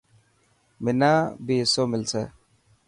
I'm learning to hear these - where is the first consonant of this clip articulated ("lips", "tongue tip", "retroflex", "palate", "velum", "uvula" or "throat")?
lips